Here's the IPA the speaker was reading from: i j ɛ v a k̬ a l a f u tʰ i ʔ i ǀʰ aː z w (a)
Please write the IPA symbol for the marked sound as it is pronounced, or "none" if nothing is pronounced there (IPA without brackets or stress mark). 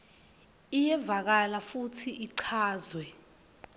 ɛ